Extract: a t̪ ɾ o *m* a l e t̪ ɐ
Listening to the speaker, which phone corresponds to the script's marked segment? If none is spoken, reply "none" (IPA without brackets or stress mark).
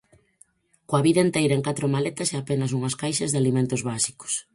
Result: m